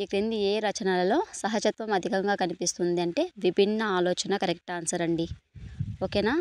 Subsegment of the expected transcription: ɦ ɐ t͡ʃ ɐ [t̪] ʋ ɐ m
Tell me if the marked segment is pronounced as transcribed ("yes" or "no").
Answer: yes